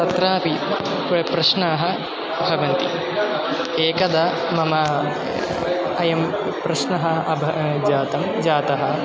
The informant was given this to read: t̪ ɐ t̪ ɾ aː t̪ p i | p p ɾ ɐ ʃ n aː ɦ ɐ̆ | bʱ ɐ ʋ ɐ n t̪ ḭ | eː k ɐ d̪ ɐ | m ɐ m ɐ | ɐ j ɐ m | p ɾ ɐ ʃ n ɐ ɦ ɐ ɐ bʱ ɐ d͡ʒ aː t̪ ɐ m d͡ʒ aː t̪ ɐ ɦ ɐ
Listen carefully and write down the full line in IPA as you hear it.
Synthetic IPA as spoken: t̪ ɐ t̪ ɾ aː p i | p p ɾ ɐ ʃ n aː ɦ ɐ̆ | bʱ ɐ ʋ ɐ n t̪ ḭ | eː k ɐ d̪ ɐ | m ɐ m ɐ | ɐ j ɐ m | p ɾ ɐ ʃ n ɐ ɦ ɐ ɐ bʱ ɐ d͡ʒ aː t̪ ɐ m d͡ʒ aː t̪ ɐ ɦ ɐ